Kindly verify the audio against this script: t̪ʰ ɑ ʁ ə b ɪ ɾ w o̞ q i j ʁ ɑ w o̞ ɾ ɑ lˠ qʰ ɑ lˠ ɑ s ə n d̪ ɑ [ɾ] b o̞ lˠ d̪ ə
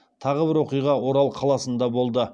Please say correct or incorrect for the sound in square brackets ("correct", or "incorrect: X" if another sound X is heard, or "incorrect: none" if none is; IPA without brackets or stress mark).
incorrect: none